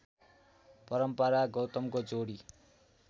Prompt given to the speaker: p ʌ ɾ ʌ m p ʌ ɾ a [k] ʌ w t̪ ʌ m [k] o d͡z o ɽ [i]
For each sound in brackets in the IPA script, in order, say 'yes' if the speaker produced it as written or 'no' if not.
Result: no, yes, yes

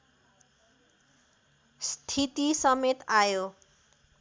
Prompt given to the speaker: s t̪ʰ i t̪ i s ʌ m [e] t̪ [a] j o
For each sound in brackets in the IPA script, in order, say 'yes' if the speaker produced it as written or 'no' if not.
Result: yes, yes

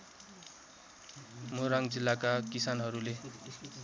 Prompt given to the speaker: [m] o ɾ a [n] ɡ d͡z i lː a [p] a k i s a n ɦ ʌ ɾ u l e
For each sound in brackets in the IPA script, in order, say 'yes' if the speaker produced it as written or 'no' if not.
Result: yes, no, no

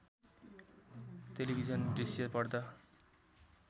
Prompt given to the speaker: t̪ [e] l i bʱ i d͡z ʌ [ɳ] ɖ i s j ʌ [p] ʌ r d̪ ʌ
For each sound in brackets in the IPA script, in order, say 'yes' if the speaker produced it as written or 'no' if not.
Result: yes, no, yes

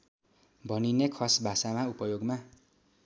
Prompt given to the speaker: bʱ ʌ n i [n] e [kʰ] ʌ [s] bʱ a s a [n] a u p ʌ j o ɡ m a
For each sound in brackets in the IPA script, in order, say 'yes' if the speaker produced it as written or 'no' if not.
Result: yes, yes, yes, no

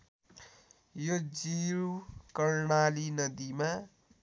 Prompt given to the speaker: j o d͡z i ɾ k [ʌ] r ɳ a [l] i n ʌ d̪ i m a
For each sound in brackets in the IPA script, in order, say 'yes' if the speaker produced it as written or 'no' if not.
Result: yes, yes

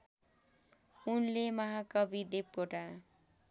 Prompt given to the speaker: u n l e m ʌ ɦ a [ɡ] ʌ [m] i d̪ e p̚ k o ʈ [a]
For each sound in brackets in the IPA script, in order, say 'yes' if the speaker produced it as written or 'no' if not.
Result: no, no, yes

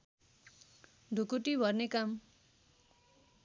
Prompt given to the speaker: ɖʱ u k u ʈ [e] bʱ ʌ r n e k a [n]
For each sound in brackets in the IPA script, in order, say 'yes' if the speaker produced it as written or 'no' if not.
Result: no, no

